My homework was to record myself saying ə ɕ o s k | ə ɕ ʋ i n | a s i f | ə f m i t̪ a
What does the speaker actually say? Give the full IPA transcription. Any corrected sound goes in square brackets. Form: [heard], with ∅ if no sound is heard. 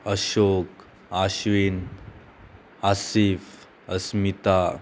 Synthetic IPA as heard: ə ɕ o [∅] k | [a] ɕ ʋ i n | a s i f | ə [s] m i t̪ a